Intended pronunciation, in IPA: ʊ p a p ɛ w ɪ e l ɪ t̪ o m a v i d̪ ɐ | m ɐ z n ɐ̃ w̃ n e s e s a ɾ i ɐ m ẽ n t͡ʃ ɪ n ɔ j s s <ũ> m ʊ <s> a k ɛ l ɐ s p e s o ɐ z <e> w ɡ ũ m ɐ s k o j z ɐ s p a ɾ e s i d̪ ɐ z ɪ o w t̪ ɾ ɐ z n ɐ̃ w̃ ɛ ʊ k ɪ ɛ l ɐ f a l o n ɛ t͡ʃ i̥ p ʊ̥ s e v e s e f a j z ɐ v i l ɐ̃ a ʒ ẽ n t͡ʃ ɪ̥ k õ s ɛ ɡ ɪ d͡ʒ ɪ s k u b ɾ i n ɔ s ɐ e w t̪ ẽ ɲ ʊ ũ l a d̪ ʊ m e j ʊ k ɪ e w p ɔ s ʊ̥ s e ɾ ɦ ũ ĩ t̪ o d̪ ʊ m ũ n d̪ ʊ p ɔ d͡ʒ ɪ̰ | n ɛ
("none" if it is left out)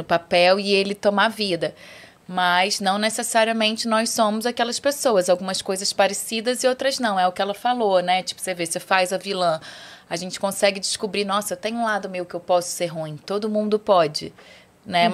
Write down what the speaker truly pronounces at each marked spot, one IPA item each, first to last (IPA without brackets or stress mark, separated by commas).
õ, z, a